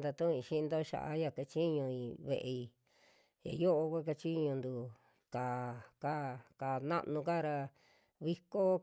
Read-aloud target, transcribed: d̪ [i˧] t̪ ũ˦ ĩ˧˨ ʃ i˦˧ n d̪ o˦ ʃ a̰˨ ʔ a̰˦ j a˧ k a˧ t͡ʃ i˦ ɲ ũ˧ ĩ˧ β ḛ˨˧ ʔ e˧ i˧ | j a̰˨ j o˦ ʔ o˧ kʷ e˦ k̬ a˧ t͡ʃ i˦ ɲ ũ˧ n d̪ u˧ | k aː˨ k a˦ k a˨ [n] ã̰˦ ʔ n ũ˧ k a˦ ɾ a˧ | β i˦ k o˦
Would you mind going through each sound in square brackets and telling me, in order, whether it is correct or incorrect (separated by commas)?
incorrect, correct